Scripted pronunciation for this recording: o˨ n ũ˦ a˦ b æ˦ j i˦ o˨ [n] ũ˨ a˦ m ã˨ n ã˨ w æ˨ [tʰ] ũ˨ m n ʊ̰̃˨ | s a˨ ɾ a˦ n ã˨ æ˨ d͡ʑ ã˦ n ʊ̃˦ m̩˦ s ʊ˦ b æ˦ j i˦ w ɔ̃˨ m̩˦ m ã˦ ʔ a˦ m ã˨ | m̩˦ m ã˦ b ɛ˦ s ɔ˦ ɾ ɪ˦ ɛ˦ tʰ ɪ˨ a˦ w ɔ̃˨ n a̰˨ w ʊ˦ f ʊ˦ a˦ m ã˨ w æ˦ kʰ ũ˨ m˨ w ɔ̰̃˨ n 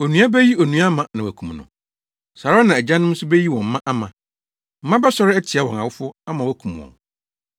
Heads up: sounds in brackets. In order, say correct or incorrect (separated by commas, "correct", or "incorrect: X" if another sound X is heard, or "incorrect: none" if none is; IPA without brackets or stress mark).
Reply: correct, incorrect: kʰ